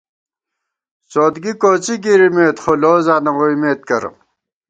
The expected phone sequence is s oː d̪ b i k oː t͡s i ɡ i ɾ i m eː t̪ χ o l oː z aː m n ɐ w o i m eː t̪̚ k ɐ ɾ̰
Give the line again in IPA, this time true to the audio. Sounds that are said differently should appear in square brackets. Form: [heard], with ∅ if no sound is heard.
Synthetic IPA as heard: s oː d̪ [ɡ] i k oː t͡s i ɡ i ɾ i m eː t̪ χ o l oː z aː [∅] n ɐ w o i m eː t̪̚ k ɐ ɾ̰